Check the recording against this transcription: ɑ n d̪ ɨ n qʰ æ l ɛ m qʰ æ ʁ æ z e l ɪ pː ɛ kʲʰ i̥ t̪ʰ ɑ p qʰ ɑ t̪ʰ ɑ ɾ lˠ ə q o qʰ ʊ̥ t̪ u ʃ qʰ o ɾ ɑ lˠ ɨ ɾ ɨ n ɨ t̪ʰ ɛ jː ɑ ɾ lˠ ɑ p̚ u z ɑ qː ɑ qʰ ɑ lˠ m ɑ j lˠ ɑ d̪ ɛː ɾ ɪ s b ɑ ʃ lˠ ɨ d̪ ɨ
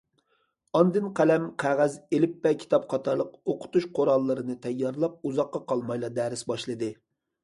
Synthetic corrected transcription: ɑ n d̪ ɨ n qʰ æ l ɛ m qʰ æ ʁ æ z e l ɪ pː ɛ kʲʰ i̥ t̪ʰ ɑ p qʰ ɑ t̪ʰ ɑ ɾ lˠ ə q o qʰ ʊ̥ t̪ u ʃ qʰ o ɾ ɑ lˠː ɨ ɾ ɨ n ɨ t̪ʰ ɛ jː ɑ ɾ lˠ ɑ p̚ u z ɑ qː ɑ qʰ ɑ lˠ m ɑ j lˠ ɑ d̪ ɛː ɾ ɪ s b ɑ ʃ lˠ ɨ d̪ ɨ

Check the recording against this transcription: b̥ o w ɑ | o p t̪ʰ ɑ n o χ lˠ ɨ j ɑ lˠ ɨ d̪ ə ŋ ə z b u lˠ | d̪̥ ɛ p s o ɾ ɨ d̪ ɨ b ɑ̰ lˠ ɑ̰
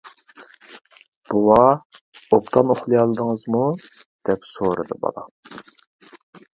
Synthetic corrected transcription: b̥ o w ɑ | o p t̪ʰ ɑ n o χ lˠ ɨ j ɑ lˠ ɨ d̪ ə ŋ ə z m u | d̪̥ ɛ p s o ɾ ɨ d̪ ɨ b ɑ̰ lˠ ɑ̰

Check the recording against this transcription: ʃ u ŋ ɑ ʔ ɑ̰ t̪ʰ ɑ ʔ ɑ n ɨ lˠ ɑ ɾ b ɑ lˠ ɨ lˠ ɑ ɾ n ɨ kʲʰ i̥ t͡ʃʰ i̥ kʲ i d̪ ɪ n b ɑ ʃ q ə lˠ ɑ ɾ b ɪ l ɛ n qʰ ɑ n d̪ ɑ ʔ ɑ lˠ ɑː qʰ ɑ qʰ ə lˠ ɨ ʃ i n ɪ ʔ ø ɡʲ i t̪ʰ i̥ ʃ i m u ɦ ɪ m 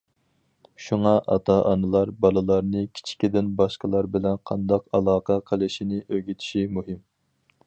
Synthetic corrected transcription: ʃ u ŋ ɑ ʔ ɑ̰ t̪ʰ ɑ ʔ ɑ n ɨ lˠ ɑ ɾ b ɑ lˠ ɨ lˠ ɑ ɾ n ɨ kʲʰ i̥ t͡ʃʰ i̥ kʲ i d̪ ɪ n b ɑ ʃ q ə lˠ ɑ ɾ b ɪ l ɛ n qʰ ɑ n d̪ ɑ q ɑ lˠ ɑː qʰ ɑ qʰ ə lˠ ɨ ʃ i n ɪ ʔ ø ɡʲ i t̪ʰ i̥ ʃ i m u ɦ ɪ m

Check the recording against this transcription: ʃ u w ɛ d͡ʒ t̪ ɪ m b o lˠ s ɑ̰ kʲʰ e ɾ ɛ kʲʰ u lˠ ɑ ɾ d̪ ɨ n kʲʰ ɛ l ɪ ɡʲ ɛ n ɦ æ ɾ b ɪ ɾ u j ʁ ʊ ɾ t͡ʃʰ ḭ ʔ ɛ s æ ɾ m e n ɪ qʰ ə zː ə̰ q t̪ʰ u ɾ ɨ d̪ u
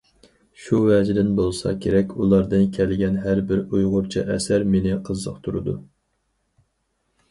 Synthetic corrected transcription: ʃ u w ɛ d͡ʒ d̪ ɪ n b o lˠ s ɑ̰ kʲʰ e ɾ ɛ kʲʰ u lˠ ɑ ɾ d̪ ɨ n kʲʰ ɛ l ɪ ɡʲ ɛ n ɦ æ ɾ b ɪ ɾ u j ʁ ʊ ɾ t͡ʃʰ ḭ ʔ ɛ s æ ɾ m e n ɪ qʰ ə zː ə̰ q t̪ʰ u ɾ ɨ d̪ u

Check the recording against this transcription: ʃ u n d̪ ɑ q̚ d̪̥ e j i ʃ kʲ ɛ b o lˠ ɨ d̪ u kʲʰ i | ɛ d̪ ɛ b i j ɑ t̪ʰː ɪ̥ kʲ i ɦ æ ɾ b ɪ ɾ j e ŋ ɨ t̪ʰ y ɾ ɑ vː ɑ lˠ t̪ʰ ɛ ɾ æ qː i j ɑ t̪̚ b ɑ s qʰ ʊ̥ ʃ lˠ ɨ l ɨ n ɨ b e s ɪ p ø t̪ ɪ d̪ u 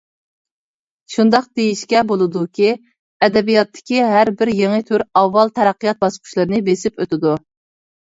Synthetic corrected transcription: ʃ u n d̪ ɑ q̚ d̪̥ e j i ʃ kʲ ɛ b o lˠ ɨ d̪ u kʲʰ i | ɛ d̪ ɛ b i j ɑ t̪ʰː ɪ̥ kʲ i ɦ æ ɾ b ɪ ɾ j e ŋ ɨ t̪ʰ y ɾ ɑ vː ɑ lˠ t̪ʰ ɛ ɾ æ qː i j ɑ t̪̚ b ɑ s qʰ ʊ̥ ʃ lˠ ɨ ɾ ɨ n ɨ b e s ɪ p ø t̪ ɪ d̪ u

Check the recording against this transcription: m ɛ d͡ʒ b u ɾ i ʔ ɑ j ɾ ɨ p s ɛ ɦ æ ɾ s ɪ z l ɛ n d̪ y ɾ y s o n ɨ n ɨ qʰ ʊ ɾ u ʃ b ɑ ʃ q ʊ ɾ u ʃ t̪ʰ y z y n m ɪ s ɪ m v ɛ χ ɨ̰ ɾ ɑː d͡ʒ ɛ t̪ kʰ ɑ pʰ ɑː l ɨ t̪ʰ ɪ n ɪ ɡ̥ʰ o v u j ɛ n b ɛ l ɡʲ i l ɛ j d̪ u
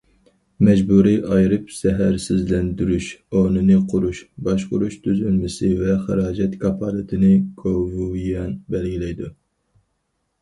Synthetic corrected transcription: m ɛ d͡ʒ b u ɾ i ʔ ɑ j ɾ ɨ p s ɛ ɦ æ ɾ s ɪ z l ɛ n d̪ y ɾ y ʃ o n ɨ n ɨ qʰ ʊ ɾ u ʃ b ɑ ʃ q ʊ ɾ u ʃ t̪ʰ y z y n m ɪ s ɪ v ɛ χ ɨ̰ ɾ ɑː d͡ʒ ɛ t̪ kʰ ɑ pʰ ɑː l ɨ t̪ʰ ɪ n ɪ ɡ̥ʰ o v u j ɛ n b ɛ l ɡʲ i l ɛ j d̪ u

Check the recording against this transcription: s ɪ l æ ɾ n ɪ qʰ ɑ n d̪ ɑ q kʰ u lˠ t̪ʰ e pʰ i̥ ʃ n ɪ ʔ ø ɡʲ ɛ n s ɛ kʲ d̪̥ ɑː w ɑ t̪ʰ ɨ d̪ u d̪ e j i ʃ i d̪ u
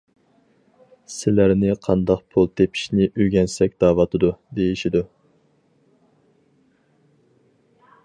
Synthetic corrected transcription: s ɪ l æ ɾ n ɪ qʰ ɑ n d̪ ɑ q pʰ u lˠ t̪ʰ e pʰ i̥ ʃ n ɪ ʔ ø ɡʲ ɛ n s ɛ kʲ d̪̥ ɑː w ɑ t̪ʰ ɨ d̪ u d̪ e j i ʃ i d̪ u

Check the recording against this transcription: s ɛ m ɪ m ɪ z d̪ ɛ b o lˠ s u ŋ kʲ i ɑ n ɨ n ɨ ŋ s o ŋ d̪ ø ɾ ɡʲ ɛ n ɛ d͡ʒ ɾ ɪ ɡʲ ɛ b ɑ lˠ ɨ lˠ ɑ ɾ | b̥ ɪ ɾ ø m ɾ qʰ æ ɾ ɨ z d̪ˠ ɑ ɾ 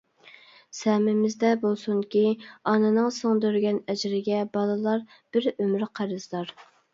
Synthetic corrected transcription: s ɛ m ɪ m ɪ z d̪ ɛ b o lˠ s u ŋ kʲ i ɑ n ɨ n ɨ ŋ s o ŋ d̪ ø ɾ ɡʲ ɛ n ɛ d͡ʒ ɾ ɪ ɡʲ ɛ b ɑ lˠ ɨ lˠ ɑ ɾ | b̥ ɪ ɾ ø m ɾ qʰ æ ɾ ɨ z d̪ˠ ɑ ɾ

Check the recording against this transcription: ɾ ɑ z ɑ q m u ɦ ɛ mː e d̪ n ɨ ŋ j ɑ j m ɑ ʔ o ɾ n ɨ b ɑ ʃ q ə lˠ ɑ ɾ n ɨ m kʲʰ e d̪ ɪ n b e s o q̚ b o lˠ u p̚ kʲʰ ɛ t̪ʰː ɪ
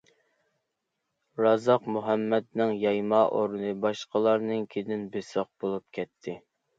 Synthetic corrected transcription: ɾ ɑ z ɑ q m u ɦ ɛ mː ɛ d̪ n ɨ ŋ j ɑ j m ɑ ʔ o ɾ n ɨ b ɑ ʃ q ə lˠ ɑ ɾ n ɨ ŋ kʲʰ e d̪ ɪ n b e s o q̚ b o lˠ u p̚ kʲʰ ɛ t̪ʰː ɪ

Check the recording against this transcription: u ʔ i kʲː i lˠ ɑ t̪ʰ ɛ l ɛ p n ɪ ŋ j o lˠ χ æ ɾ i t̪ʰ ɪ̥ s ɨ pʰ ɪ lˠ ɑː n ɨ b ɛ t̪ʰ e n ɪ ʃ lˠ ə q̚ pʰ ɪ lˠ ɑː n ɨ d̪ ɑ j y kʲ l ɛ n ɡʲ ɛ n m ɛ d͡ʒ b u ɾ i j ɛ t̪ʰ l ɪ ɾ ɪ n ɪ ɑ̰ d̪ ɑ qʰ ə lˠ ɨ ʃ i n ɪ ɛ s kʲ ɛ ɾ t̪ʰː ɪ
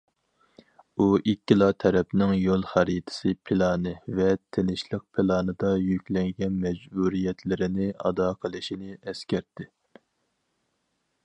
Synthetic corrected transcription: u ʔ i kʲː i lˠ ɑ t̪ʰ ɛ ɾ ɛ p n ɪ ŋ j o lˠ χ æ ɾ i t̪ʰ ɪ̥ s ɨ pʰ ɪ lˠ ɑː n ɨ v ɛ t̪ʰ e n ɪ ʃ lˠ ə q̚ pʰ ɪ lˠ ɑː n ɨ d̪ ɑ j y kʲ l ɛ ŋ ɡʲ ɛ n m ɛ d͡ʒ b u ɾ i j ɛ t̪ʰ l ɪ ɾ ɪ n ɪ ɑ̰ d̪ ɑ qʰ ə lˠ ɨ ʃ i n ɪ ɛ s kʲ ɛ ɾ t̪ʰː ɪ

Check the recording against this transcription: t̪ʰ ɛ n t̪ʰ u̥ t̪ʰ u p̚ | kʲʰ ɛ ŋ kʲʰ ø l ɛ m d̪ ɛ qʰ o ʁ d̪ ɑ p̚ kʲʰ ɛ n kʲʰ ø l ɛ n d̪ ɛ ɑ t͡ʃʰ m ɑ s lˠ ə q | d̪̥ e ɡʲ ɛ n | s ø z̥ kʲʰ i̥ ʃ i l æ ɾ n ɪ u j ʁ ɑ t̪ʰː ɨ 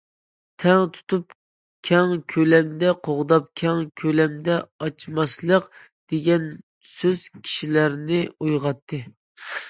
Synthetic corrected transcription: t̪ʰ ɛ ŋ t̪ʰ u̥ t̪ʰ u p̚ | kʲʰ ɛ ŋ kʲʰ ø l ɛ m d̪ ɛ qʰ o ʁ d̪ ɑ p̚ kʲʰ ɛ ŋ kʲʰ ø l ɛ m d̪ ɛ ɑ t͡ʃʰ m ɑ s lˠ ə q | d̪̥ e ɡʲ ɛ n | s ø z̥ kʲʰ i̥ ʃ i l æ ɾ n ɪ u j ʁ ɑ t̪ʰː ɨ

